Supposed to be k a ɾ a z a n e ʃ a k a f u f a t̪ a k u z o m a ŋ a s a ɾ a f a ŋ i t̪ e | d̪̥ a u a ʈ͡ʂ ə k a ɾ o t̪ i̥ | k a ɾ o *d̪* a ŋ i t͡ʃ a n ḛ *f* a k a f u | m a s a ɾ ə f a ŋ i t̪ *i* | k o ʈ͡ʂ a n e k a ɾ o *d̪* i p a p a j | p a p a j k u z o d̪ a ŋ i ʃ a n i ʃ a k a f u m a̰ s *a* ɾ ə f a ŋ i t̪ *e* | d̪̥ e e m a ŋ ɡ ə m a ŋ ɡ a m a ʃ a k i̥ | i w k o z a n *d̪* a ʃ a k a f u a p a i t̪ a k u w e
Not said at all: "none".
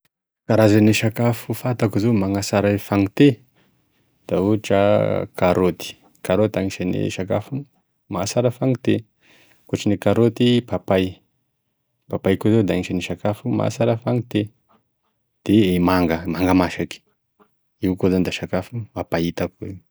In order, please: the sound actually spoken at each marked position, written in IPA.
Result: t̪, ʃ, e, t̪, a, e, d̪

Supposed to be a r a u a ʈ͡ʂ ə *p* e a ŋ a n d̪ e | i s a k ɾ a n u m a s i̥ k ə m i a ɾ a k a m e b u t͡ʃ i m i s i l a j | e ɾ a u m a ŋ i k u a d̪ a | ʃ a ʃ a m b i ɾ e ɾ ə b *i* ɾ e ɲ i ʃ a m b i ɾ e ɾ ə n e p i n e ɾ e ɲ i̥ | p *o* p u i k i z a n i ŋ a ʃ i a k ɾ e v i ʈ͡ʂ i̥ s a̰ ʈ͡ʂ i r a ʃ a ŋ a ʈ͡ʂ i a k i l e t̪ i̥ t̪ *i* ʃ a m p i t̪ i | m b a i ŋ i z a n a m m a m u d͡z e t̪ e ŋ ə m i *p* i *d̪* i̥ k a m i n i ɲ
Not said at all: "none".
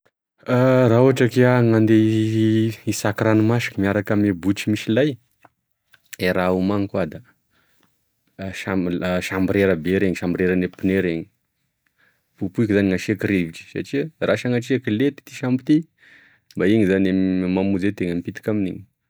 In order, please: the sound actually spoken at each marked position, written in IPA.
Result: k, e, u, i, p, t̪

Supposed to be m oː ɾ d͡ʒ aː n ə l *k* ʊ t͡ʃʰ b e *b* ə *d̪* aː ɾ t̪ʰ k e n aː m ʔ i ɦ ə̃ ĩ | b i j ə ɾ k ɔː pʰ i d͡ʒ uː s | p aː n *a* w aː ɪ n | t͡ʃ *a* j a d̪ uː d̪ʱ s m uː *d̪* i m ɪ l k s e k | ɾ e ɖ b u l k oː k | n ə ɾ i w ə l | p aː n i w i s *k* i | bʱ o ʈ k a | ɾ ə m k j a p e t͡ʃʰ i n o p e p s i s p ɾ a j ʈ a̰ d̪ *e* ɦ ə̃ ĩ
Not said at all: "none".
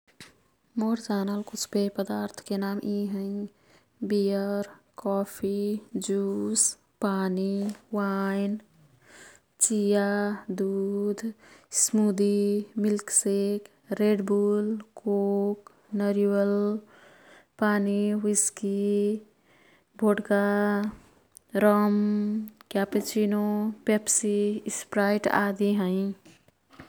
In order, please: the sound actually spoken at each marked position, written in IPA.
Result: k, p, d̪, i, i, d̪, k, i

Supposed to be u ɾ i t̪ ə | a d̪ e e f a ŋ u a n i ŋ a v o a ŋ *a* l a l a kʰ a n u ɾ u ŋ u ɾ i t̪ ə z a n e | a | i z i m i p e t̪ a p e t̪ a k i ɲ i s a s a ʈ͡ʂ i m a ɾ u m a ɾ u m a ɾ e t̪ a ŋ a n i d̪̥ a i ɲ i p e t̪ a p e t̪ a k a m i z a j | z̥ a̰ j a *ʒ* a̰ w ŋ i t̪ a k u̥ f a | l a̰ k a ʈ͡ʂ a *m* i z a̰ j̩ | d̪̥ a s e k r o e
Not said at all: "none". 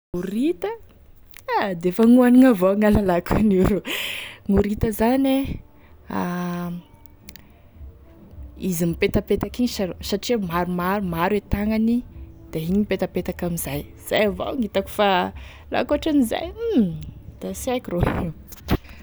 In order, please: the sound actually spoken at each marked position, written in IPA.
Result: a, v, n

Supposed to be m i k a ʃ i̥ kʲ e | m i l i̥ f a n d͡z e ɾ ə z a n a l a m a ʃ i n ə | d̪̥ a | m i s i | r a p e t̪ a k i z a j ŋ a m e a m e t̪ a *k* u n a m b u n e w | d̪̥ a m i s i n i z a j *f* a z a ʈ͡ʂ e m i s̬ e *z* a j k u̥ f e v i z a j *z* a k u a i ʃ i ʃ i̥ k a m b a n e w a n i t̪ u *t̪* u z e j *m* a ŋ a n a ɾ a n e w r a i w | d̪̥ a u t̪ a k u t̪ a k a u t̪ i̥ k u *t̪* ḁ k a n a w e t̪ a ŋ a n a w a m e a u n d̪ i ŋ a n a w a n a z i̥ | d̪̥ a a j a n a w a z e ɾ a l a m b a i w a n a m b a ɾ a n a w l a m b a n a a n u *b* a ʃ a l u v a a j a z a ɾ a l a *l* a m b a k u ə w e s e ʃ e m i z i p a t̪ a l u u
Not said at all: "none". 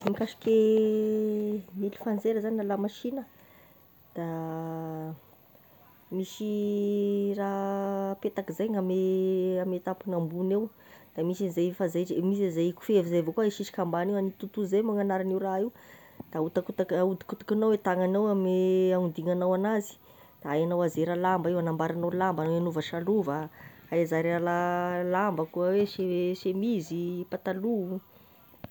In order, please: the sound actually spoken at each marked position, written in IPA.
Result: p, f, z, v, t̪, m, t̪, v, l

